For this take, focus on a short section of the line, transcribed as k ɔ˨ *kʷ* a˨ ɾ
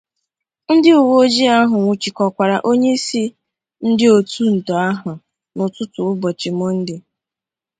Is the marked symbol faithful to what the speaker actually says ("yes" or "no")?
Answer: yes